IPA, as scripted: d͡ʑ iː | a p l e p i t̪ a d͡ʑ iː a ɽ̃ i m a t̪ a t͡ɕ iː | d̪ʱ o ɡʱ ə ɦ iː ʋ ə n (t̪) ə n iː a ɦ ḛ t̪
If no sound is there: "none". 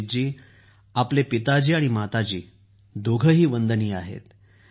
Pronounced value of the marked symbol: d̪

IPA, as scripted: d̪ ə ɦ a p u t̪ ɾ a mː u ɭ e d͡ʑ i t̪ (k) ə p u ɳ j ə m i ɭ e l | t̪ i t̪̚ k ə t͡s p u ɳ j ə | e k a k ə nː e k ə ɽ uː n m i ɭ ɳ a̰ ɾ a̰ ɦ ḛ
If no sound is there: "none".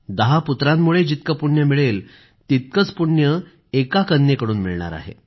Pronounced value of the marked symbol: k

